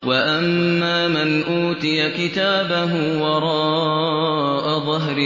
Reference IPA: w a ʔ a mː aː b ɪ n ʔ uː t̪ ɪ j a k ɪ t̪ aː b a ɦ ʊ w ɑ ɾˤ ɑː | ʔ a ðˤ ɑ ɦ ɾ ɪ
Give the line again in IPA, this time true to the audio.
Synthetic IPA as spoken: w a ʔ a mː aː m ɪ n ʔ uː t̪ ɪ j a k ɪ t̪ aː b a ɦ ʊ w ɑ ɾˤ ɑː | ʔ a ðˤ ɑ ɦ ɾ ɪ